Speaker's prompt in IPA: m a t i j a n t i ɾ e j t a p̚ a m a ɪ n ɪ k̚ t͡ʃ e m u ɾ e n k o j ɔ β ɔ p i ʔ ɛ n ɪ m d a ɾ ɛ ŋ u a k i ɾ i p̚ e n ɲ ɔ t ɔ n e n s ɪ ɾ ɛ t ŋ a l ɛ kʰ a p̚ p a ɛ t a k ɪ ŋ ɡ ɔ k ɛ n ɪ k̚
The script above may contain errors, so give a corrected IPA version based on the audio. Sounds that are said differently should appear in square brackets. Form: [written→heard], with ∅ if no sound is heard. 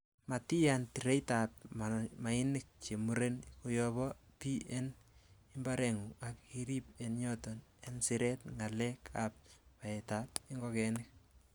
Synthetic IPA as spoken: m a t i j a n t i ɾ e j t a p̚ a m a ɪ n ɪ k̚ t͡ʃ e m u ɾ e n k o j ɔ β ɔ p i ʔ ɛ n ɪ m [d→b] a ɾ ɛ ŋ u a k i ɾ i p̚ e n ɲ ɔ t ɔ n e n s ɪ ɾ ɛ t ŋ a l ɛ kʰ a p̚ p a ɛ t a [k→t] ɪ ŋ ɡ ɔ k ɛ n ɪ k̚